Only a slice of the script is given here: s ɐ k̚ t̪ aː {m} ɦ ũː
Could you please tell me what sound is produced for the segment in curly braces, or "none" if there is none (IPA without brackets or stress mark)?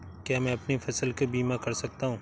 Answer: none